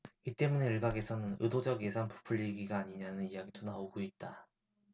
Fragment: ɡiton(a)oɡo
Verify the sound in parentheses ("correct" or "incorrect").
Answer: correct